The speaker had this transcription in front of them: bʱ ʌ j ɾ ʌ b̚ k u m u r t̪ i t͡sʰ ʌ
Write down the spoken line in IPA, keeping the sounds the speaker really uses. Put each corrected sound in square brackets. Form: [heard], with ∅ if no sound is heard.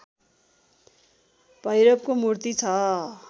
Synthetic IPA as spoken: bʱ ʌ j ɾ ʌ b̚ k [o] m u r t̪ i t͡sʰ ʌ